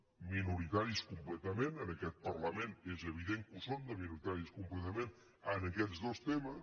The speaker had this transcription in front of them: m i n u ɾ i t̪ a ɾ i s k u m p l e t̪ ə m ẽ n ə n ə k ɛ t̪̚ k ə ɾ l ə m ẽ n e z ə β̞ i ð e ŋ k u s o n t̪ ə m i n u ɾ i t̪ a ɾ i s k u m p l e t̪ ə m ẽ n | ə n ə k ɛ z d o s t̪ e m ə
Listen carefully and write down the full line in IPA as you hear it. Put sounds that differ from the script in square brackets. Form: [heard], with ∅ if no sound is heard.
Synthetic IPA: m i n u ɾ i t̪ a ɾ i s k u m p l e t̪ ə m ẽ n ə n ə k ɛ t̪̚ [p] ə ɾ l ə m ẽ n e z ə β̞ i ð e ŋ k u s o n [d̪] ə m i n u ɾ i t̪ a ɾ i s k u m p l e t̪ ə m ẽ n | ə n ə k ɛ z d o s t̪ e m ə